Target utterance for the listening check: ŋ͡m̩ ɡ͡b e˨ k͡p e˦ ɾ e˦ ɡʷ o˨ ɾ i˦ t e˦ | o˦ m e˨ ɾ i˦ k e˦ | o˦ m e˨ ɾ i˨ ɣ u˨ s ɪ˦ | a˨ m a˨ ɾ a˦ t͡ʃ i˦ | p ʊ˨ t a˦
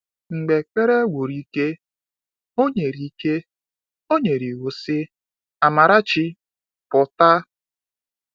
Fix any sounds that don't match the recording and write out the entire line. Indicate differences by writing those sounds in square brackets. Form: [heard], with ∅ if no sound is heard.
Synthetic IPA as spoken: ŋ͡m̩ ɡ͡b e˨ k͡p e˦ ɾ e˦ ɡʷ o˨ ɾ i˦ [k] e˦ | o˦ [ɲ] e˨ ɾ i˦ k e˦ | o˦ [ɲ] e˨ ɾ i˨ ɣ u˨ s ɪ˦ | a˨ m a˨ ɾ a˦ t͡ʃ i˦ | p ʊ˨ t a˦